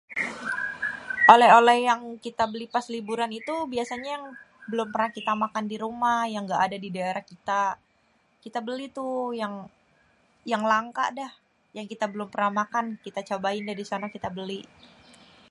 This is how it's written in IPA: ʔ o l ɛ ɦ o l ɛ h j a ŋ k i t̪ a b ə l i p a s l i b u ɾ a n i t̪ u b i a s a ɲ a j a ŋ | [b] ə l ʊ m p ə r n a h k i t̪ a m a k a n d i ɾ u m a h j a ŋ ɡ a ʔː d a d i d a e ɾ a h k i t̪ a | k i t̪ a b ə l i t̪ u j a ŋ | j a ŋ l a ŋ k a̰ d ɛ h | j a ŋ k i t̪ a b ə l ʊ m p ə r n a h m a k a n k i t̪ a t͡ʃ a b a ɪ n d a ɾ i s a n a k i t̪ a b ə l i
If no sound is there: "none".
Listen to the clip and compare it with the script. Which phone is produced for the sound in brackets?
b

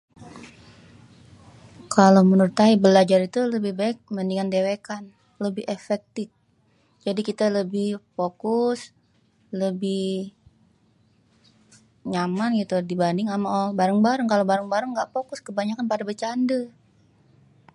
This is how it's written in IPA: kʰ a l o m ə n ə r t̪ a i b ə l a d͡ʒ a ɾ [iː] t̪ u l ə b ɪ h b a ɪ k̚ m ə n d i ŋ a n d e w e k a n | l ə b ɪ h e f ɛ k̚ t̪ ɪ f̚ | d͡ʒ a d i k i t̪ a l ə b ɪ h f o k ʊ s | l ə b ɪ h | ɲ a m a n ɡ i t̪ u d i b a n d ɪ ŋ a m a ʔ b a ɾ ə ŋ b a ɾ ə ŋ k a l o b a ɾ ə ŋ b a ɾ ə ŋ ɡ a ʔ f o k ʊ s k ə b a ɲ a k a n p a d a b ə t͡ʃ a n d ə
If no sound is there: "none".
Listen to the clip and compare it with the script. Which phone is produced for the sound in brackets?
i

